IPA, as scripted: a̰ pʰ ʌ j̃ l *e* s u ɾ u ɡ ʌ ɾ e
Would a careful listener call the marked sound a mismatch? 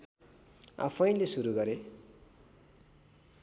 no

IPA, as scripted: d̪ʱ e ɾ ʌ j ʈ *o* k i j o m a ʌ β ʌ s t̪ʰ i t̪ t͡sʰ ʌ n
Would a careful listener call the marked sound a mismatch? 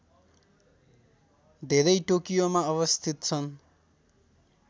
no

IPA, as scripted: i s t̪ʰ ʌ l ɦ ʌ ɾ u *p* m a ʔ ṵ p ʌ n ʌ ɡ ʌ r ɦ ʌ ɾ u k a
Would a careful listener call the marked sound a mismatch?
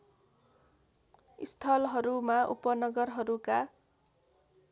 yes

